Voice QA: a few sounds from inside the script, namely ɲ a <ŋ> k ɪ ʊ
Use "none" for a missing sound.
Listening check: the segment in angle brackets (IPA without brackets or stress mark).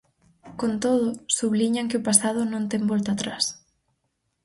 ŋ